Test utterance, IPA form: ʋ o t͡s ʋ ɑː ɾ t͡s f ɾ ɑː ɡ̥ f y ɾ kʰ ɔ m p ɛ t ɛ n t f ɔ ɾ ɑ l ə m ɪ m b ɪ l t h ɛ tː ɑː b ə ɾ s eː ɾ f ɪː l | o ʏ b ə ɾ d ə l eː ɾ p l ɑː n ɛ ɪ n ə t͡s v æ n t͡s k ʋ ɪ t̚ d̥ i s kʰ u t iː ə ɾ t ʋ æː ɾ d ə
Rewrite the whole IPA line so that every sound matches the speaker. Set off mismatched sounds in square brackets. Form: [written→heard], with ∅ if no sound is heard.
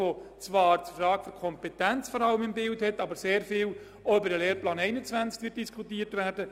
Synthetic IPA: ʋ o t͡s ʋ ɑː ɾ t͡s f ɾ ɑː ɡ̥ f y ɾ kʰ ɔ m p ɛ t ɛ n [t→t͡s] f ɔ ɾ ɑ l ə m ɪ m b ɪ l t h ɛ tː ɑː b ə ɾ s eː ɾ f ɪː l | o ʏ b ə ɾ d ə l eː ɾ p l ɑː n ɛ ɪ n ə t͡s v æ n t͡s k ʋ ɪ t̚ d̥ i s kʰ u t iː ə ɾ t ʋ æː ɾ d ə